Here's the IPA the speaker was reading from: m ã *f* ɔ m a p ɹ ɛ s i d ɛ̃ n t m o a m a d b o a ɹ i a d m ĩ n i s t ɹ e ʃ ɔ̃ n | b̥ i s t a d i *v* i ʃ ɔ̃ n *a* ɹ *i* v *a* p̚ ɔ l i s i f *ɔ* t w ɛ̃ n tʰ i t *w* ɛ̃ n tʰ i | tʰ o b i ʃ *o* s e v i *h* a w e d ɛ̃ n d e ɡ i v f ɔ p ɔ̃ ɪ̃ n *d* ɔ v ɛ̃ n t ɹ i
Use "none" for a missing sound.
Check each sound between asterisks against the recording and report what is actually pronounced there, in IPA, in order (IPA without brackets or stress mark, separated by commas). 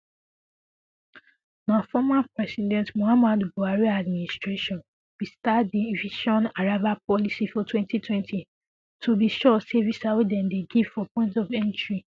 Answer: f, v, a, a, a, ɔ, w, ɔ, s, t